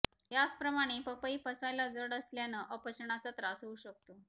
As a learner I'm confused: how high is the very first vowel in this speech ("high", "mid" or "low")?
low